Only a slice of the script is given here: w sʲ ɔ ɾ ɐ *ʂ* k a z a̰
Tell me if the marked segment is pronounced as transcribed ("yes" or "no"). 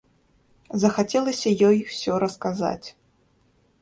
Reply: no